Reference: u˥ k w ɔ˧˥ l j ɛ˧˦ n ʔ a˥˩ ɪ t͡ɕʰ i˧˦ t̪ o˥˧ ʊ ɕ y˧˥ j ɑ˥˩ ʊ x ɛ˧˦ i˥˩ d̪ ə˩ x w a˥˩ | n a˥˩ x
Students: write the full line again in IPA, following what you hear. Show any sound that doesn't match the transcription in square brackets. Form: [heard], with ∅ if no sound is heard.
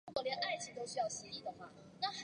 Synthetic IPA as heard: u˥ k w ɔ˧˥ l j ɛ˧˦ n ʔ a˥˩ ɪ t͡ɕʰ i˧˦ t̪ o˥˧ ʊ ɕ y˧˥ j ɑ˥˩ ʊ [ɕ] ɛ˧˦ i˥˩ d̪ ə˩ x w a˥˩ | n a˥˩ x